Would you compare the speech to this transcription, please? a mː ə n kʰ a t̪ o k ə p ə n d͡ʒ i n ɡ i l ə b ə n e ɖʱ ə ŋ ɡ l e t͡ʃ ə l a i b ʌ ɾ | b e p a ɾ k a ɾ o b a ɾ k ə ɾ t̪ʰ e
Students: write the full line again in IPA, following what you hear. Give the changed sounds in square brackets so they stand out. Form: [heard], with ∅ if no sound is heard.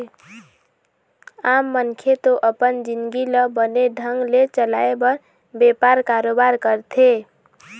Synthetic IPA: a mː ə n kʰ [e] t̪ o [ʔ] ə p ə n d͡ʒ i n ɡ i l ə b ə n e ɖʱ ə ŋ ɡ l e t͡ʃ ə l a [e] b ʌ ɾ | b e p a ɾ k a ɾ o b a ɾ k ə ɾ t̪ʰ e